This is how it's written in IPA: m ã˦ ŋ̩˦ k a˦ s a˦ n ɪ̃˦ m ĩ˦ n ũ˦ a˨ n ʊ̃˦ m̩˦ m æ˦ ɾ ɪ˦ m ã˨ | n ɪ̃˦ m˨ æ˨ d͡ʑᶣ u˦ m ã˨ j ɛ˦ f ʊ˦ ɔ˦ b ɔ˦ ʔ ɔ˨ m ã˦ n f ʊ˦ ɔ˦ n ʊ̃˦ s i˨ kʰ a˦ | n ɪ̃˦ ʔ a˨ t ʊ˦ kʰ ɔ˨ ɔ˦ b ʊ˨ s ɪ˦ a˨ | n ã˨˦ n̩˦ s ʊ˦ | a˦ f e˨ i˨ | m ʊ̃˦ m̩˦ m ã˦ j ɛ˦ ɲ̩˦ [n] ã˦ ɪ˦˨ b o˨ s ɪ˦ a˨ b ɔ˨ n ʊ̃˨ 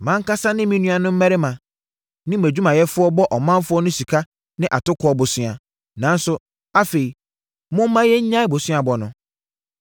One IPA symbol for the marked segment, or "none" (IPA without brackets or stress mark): ɲ